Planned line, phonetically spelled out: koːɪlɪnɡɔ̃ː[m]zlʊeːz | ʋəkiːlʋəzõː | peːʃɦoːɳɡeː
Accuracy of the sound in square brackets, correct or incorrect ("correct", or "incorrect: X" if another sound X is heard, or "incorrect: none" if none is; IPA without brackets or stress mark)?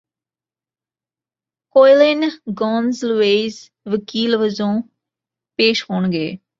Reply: incorrect: n